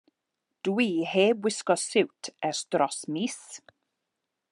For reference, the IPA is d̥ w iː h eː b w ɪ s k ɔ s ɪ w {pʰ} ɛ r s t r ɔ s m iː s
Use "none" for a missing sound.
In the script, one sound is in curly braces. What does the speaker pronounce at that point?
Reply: tʰ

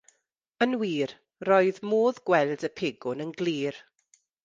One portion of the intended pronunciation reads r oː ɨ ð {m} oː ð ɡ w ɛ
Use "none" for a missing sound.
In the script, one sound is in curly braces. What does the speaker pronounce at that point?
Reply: m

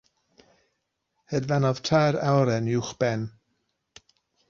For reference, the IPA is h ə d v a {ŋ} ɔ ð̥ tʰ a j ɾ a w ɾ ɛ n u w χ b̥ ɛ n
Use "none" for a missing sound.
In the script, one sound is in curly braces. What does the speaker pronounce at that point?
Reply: n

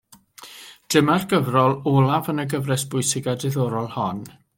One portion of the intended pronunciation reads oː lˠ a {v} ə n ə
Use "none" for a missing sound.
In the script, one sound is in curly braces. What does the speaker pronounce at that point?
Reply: v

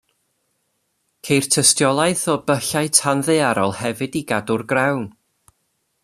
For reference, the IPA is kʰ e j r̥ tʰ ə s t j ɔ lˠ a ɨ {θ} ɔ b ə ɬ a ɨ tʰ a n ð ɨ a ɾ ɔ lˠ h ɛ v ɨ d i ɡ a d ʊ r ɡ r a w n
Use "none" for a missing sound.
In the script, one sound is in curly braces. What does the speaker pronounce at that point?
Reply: θ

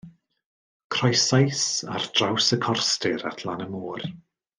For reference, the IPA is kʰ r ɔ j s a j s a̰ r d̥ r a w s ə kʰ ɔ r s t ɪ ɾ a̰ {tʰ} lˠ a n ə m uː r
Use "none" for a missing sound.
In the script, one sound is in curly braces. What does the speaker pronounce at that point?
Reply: tʰ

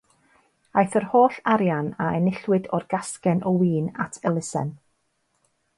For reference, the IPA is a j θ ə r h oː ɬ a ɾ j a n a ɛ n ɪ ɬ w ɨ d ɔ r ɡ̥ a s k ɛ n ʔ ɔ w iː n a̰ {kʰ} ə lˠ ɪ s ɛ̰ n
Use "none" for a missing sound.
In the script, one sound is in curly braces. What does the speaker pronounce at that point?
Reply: tʰ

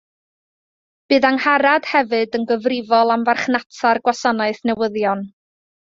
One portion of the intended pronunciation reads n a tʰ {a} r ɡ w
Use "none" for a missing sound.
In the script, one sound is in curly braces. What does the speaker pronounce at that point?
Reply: a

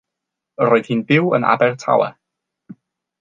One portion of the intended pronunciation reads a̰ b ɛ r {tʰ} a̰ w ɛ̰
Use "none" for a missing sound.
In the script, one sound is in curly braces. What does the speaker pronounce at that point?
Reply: tʰ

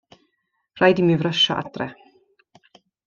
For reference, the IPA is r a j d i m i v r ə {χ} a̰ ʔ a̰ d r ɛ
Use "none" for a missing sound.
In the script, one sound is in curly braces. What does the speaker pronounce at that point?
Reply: ʃ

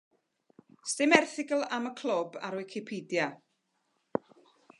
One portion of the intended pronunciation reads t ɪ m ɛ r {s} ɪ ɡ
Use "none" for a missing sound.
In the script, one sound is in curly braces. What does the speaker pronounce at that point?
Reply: θ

